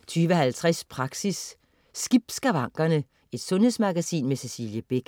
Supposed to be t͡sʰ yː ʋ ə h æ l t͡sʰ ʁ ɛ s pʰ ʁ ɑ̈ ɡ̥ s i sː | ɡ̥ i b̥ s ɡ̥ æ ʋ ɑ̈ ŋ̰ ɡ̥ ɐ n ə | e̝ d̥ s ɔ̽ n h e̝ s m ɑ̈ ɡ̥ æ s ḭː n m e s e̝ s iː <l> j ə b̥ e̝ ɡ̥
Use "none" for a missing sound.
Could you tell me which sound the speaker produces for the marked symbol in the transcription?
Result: l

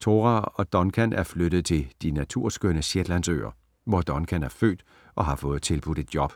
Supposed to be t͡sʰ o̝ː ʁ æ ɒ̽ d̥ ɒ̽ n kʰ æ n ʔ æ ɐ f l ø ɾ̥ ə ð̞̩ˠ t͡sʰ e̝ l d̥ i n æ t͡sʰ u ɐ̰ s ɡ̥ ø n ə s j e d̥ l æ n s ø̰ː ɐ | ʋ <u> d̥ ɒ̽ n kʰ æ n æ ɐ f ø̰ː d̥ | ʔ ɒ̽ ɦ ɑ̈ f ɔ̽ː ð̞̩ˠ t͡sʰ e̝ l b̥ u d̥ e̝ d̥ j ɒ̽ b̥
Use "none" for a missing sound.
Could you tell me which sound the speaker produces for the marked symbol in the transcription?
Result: ɒ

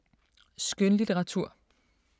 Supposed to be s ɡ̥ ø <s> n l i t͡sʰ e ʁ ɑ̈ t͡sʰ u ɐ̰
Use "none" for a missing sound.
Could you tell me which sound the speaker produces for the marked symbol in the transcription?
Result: none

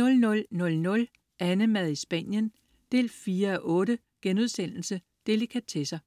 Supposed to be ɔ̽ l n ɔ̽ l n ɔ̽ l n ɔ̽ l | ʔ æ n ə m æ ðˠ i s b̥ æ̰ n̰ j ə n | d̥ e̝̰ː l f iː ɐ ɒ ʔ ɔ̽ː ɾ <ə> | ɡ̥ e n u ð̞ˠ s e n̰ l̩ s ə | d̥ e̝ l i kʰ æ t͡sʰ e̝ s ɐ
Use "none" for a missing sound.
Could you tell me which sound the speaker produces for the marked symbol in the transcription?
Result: ə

